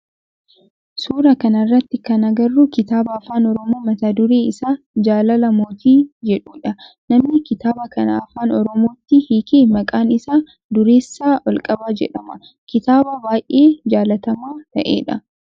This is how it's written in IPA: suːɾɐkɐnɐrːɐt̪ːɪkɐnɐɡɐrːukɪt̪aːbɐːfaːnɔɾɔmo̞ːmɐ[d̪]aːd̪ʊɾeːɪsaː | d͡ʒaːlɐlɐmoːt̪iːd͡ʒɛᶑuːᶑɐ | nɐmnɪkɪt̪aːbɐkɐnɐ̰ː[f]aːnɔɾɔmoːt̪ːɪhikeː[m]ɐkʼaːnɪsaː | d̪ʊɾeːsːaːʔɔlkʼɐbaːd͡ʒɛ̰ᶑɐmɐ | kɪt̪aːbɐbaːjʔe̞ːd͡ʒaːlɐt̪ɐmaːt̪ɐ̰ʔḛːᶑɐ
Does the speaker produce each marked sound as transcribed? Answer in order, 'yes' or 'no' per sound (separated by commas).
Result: no, yes, yes